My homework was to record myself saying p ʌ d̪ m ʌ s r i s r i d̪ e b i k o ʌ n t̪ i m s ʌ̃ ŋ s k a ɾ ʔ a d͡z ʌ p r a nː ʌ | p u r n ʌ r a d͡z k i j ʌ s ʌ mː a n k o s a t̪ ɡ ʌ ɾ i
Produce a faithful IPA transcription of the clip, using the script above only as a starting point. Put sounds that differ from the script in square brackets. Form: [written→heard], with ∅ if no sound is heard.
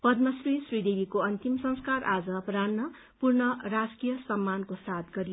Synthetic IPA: p ʌ d̪ m ʌ s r i s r i d̪ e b i k o ʌ n t̪ i m s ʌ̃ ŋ s k a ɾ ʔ a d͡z ʌ p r a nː ʌ | p u r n ʌ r a d͡z k i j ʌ s ʌ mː a n k o s a t̪ ɡ ʌ ɾ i